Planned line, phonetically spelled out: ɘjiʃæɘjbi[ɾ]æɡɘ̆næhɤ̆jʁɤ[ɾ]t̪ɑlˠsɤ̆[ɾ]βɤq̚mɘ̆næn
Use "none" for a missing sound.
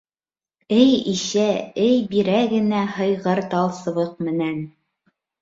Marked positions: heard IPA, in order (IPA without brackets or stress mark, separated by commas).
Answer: ɾ, ɾ, none